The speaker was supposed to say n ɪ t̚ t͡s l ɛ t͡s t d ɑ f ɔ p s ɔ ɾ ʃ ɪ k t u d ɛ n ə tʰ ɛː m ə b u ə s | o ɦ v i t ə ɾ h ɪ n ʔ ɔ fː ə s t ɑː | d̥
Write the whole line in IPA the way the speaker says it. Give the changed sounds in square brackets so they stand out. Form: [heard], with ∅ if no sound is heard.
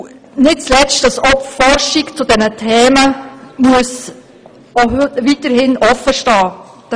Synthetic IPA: n ɪ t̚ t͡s l ɛ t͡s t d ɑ [s] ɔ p [f] ɔ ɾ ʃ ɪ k [t͡s] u d ɛ n ə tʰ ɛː m ə [m] u ə s | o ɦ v i t ə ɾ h ɪ n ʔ ɔ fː ə [ʃ] t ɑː | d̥